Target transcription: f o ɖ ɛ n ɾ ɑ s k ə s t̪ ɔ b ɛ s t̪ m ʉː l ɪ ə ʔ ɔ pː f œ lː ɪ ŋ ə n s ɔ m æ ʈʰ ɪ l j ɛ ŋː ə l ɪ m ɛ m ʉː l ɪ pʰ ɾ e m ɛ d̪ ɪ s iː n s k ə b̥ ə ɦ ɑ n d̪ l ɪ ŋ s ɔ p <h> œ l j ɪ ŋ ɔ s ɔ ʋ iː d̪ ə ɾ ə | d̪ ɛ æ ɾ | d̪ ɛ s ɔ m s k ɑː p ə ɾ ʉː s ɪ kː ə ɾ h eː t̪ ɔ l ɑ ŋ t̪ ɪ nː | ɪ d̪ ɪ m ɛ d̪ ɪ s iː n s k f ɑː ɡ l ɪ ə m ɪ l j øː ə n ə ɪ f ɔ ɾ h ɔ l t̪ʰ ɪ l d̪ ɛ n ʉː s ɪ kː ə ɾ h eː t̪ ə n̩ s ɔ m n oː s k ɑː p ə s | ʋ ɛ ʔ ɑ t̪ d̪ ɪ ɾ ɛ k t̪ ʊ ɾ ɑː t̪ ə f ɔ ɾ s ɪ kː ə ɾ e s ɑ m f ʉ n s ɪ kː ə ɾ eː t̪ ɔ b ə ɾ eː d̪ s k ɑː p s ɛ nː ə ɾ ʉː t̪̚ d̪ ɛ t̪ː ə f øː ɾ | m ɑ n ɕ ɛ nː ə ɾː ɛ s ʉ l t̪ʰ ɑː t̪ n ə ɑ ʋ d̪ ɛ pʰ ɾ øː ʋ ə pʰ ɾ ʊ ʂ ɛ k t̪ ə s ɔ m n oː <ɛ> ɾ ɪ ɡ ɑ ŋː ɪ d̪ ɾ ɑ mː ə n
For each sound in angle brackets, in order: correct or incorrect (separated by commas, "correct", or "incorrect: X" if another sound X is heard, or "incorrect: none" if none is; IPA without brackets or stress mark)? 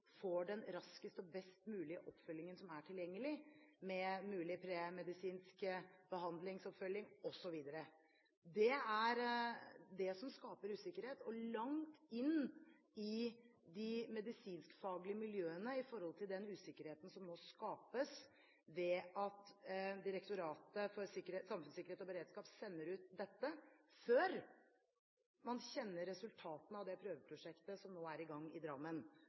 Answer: incorrect: f, incorrect: æ